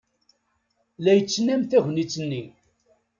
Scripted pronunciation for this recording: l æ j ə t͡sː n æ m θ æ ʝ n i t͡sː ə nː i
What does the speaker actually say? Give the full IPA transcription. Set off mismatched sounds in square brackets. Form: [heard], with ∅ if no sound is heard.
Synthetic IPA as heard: l æ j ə t͡sː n æ m θ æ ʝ n i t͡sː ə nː i